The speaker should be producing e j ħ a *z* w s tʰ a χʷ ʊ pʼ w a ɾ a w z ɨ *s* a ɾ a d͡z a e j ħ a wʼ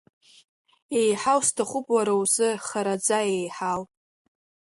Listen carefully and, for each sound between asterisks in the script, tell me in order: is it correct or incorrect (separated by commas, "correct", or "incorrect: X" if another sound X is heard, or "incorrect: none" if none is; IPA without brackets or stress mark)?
incorrect: none, incorrect: χ